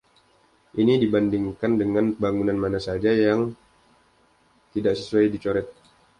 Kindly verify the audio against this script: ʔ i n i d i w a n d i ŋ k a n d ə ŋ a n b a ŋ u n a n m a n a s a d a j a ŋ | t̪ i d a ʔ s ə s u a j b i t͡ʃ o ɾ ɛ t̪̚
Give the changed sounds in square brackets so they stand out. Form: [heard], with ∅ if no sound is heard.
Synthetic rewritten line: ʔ i n i d i [b] a n d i ŋ k a n d ə ŋ a n b a ŋ u n a n m a n a s a [d͡ʒ] a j a ŋ | t̪ i d a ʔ s ə s u a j [d] i t͡ʃ o ɾ ɛ t̪̚